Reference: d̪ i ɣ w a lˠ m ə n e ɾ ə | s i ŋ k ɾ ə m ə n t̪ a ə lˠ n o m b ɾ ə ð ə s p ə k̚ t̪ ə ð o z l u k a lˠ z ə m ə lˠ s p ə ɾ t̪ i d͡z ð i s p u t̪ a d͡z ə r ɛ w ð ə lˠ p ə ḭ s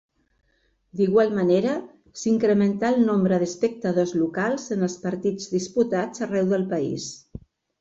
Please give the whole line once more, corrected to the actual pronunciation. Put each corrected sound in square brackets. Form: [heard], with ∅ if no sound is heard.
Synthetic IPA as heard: d̪ i ɣ w a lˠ m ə n e ɾ ə | s i ŋ k ɾ ə m ə n t̪ a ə lˠ n o m b ɾ ə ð ə s p ə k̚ t̪ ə ð o z l u k a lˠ z ə [n] ə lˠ s p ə ɾ t̪ i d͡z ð i s p u t̪ a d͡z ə r ɛ w ð ə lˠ p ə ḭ s